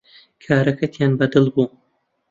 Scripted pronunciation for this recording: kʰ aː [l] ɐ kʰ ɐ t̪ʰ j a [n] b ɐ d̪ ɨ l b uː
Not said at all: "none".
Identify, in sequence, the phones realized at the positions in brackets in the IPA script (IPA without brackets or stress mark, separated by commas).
ɾ, n